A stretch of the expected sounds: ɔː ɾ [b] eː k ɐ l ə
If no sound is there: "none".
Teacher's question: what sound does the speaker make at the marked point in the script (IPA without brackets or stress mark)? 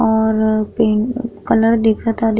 p